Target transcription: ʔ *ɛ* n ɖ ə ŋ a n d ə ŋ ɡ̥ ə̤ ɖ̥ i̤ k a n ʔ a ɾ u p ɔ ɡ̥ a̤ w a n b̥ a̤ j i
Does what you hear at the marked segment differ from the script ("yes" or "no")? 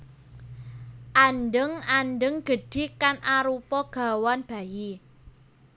yes